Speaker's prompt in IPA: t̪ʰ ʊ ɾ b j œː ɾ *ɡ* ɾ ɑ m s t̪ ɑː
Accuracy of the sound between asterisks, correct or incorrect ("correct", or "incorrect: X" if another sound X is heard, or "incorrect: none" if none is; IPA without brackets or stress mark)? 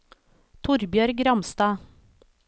correct